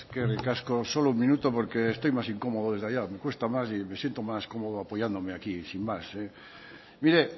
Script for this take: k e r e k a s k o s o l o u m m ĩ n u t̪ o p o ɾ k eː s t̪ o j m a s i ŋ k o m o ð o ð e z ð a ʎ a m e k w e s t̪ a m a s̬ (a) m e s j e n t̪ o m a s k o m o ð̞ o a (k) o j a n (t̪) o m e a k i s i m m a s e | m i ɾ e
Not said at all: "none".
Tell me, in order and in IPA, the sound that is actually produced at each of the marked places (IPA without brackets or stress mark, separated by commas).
i, p, d̪